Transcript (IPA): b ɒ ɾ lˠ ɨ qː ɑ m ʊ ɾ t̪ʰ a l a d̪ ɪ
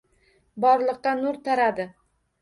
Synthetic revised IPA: b ɒ ɾ lˠ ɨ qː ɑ n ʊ ɾ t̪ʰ a ɾ a d̪ ɪ